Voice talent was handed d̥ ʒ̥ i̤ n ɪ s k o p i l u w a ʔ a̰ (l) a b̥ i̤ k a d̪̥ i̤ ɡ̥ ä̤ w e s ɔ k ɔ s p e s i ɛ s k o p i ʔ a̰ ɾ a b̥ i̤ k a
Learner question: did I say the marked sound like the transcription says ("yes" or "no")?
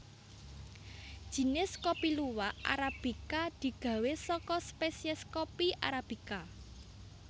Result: no